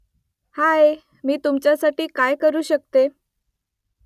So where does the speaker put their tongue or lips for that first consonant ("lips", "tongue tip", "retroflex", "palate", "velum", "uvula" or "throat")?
throat